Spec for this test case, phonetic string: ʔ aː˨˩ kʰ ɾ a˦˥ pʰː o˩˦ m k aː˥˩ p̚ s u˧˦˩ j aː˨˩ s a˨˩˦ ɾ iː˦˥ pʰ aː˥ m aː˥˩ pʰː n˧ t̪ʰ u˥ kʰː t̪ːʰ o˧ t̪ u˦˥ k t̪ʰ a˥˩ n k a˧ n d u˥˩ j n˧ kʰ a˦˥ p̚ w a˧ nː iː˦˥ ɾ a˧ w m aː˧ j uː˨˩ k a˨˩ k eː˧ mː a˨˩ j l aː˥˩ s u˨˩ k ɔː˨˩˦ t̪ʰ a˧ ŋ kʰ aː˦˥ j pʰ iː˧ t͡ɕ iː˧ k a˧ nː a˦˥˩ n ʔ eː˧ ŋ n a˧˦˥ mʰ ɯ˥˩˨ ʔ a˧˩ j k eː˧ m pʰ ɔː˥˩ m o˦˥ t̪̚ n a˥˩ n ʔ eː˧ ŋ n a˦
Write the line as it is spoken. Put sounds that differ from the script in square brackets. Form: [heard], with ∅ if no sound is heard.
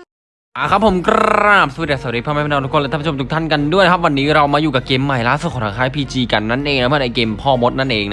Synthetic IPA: ʔ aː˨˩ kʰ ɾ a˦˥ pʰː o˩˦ m k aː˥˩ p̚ s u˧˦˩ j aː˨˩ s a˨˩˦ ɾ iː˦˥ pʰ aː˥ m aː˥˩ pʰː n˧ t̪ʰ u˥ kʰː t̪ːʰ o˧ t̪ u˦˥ k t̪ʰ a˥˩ n k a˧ n d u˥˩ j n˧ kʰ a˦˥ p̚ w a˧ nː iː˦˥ ɾ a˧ w m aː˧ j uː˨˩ k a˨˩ k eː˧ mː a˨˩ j l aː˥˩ s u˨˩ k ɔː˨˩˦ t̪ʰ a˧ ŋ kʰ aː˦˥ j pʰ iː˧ t͡ɕ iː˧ k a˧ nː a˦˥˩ n ʔ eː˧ ŋ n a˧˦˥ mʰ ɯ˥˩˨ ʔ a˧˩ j k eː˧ m pʰ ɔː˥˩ m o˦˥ t̪̚ n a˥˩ n ʔ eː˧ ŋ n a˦